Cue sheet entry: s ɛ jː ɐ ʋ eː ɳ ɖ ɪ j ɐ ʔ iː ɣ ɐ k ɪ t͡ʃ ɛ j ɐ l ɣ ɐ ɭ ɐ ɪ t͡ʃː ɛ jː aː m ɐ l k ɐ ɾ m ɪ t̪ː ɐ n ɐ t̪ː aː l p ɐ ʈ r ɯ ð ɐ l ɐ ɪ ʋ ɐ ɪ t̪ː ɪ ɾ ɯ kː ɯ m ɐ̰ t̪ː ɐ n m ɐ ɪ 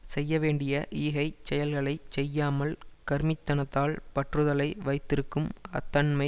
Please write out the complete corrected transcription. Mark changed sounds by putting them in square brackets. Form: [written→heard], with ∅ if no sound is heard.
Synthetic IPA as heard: s ɛ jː ɐ ʋ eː ɳ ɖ ɪ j ɐ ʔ iː ɣ ɐ [k→∅] ɪ t͡ʃ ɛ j ɐ l ɣ ɐ ɭ ɐ ɪ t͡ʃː ɛ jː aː m ɐ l k ɐ ɾ m ɪ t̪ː ɐ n ɐ t̪ː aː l p ɐ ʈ r ɯ ð ɐ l ɐ ɪ ʋ ɐ ɪ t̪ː ɪ ɾ ɯ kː ɯ m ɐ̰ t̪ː ɐ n m ɐ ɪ